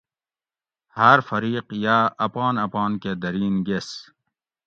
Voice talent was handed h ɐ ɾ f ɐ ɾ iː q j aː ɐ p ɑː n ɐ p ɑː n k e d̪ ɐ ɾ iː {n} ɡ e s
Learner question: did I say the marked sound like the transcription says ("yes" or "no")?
yes